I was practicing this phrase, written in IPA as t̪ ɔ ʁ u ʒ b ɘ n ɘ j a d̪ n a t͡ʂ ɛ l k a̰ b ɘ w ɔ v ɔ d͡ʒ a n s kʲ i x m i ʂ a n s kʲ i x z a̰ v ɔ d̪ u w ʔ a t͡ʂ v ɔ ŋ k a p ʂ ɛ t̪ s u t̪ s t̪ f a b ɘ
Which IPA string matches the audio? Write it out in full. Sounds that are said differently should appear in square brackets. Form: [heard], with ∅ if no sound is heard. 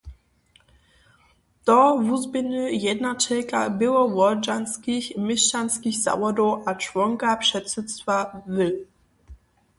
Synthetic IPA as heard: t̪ ɔ [v] u [z] b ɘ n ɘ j [ɛ] d̪ n a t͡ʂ ɛ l k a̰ b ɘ w ɔ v ɔ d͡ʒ a n s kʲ i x m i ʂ a n s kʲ i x z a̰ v ɔ d̪ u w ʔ a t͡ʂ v ɔ ŋ k a p ʂ ɛ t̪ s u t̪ s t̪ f a [v] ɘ